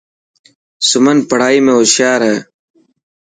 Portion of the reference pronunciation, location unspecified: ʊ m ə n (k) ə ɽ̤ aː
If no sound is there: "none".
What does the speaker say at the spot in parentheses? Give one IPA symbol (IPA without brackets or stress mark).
p